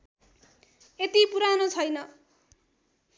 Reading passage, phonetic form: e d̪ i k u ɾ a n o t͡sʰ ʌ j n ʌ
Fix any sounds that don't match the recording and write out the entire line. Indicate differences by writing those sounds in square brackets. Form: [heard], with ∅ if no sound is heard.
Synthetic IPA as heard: e [t̪] i [p] u ɾ a n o t͡sʰ ʌ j n ʌ